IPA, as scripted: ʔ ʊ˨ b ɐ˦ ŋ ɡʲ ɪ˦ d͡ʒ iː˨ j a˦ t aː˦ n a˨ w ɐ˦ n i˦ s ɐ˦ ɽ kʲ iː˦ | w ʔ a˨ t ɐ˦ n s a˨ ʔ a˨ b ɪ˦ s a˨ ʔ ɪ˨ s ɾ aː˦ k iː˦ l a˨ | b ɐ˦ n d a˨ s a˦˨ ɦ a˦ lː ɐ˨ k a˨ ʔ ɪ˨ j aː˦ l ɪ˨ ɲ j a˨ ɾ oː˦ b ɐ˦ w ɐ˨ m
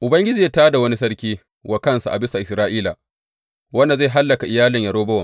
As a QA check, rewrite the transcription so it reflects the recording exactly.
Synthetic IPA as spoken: ʔ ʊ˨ b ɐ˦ ŋ ɡʲ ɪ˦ d͡ʒ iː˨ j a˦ t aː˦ d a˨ w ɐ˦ n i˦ s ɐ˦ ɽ kʲ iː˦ | w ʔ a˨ k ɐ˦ n s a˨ ʔ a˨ b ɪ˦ s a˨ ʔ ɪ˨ s ɾ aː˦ ʔ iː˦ l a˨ | w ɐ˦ n d a˨ z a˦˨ ɦ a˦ lː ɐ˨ k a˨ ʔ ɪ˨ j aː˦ l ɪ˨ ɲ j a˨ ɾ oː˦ b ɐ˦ w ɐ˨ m